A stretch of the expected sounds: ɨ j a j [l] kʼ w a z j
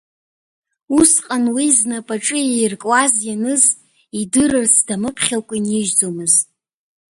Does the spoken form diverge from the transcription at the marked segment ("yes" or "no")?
yes